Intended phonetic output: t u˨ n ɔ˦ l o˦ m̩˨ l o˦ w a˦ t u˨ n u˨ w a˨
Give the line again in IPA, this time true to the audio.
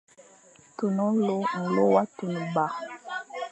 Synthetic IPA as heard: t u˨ n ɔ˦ l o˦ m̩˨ l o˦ w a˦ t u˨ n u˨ b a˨